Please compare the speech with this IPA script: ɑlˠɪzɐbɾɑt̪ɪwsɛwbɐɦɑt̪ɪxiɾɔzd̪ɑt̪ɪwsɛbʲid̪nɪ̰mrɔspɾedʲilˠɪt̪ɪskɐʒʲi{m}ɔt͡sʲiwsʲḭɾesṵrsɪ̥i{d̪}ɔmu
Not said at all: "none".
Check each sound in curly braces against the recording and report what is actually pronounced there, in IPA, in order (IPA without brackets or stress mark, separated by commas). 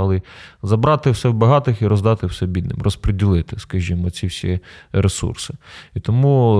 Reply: m, t̪